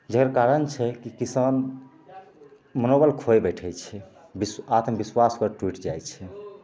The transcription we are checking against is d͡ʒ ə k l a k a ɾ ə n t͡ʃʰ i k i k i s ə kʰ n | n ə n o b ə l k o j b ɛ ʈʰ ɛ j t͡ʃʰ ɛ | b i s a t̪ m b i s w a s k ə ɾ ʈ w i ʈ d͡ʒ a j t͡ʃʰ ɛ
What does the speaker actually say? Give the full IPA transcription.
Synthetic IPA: d͡ʒ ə k ɾ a k a ɾ ə n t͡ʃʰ ɛ k i k i s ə n | m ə n o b ə l kʰ o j b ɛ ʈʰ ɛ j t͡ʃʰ ɛ | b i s a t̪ m b i s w a s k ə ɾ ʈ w i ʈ d͡ʒ a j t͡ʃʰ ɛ